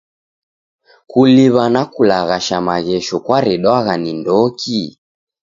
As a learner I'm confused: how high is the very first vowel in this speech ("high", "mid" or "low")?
high